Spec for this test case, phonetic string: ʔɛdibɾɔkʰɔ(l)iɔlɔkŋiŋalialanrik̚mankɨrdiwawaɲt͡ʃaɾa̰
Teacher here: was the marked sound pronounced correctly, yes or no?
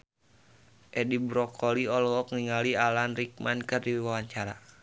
yes